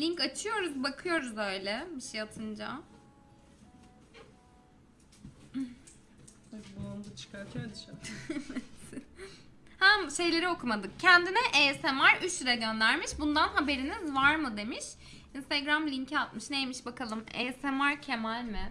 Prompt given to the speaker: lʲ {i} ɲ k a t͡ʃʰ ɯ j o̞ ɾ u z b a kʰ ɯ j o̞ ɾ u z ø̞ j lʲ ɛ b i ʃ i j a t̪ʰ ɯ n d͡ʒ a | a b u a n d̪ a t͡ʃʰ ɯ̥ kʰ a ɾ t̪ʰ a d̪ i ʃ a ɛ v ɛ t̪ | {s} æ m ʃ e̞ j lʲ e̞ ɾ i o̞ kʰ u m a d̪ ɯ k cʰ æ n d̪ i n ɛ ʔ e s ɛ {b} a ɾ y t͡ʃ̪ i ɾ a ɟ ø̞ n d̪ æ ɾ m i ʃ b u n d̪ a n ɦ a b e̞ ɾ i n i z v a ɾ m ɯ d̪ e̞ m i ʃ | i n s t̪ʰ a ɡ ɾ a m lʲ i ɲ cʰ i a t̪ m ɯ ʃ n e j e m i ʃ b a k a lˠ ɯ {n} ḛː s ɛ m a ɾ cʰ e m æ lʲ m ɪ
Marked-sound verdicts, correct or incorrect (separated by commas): correct, incorrect, incorrect, incorrect